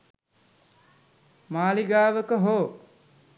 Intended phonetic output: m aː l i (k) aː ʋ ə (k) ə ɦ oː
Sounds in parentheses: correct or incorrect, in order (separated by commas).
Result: incorrect, correct